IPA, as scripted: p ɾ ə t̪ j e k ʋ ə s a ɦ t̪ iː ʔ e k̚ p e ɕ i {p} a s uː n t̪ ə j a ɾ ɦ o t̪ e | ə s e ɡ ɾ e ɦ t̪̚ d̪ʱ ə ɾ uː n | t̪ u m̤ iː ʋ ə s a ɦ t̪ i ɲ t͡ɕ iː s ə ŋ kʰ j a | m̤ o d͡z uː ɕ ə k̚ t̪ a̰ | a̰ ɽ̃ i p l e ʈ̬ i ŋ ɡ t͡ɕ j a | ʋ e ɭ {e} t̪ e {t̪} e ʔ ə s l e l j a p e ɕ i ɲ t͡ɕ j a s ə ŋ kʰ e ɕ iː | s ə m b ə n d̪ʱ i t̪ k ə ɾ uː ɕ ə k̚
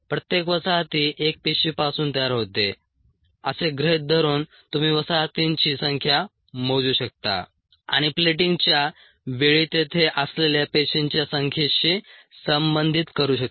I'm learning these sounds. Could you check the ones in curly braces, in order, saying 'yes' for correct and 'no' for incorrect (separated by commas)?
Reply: yes, no, no